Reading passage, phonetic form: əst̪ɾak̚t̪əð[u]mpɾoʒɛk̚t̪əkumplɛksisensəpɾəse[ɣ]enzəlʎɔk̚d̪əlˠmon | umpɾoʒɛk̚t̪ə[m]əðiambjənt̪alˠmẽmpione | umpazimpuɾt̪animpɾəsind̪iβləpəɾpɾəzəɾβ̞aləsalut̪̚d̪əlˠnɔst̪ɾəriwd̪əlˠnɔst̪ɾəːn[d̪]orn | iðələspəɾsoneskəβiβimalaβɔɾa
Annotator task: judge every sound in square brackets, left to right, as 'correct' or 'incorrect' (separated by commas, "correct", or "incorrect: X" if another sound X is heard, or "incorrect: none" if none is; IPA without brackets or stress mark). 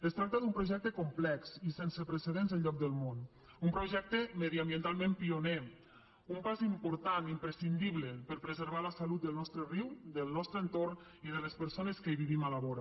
correct, incorrect: ð, correct, incorrect: t̪